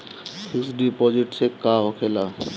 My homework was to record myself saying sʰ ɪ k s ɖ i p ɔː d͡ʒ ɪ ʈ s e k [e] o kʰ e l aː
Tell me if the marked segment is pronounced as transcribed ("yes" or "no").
no